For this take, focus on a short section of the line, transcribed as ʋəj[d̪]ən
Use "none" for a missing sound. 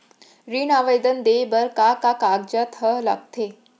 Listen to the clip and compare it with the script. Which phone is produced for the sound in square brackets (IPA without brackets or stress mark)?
d̪